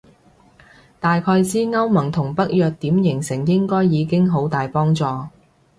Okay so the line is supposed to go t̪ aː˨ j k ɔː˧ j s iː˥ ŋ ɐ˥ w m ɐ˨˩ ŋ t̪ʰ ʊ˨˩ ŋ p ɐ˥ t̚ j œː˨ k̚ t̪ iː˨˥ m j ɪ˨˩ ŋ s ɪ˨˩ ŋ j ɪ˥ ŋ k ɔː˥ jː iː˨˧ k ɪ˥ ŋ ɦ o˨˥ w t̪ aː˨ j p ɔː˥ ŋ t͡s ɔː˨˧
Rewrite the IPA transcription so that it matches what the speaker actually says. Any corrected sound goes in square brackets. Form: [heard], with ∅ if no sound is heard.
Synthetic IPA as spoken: t̪ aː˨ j [kʰ] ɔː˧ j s iː˥ ŋ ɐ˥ w m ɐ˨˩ ŋ t̪ʰ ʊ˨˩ ŋ p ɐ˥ [k̚] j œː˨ k̚ t̪ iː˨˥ m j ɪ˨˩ ŋ s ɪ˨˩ ŋ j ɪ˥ ŋ k ɔː˥ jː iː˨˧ k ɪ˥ ŋ ɦ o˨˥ w t̪ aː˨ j p ɔː˥ ŋ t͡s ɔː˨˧